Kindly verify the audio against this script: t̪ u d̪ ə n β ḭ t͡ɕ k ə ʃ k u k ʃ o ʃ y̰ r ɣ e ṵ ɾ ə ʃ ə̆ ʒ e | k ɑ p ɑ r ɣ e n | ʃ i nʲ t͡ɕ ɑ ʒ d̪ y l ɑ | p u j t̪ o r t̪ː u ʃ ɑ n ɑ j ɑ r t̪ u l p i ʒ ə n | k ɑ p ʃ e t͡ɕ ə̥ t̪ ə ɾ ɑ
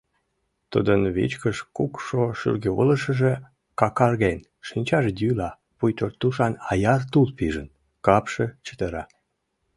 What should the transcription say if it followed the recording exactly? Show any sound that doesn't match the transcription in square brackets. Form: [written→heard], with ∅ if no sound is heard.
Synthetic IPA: t̪ u d̪ ə n β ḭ t͡ɕ k ə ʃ k u k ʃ o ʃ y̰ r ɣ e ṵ [ɾ→l] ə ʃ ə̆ ʒ e | k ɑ [p→k] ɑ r ɣ e n | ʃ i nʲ t͡ɕ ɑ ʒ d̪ y l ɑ | p u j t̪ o r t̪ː u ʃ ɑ n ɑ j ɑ r t̪ u l p i ʒ ə n | k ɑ p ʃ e t͡ɕ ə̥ t̪ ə ɾ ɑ